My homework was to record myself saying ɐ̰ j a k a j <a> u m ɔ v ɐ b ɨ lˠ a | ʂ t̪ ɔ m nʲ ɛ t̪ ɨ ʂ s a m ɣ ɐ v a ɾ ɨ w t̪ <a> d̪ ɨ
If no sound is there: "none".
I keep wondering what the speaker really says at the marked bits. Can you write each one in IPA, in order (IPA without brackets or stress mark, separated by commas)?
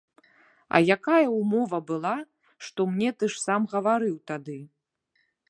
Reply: ɐ, a